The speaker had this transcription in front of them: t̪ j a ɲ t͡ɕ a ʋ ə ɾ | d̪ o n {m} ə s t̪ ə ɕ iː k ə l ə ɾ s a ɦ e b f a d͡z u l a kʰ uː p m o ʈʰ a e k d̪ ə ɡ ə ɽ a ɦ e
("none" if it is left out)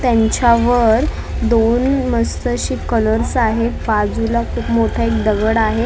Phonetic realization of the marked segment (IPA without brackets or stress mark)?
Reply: m